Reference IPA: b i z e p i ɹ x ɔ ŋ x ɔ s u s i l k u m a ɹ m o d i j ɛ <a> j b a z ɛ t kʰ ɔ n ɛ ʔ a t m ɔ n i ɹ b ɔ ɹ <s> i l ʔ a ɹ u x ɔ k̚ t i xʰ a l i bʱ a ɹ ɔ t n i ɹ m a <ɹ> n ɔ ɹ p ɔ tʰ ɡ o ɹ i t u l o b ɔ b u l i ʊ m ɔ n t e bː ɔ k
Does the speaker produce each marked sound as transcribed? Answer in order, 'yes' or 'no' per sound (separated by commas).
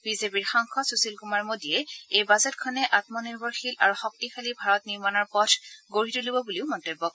no, no, no